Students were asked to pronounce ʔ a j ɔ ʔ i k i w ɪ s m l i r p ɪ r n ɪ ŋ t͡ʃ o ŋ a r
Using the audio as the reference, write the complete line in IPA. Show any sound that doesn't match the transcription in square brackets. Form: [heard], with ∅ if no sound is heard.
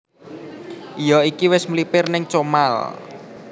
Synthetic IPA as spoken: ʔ [i] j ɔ [∅] i k i w ɪ s m l i [∅] p ɪ r n ɪ ŋ t͡ʃ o [m] a [l]